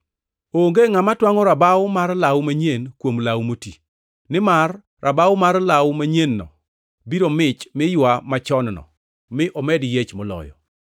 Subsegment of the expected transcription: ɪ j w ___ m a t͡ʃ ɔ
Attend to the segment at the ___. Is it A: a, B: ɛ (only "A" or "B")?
A